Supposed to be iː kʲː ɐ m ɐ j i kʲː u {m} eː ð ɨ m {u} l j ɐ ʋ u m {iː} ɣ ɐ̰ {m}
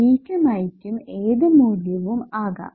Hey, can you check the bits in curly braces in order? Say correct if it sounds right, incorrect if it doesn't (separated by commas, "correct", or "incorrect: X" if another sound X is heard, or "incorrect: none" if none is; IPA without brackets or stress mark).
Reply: correct, incorrect: uː, incorrect: aː, incorrect: none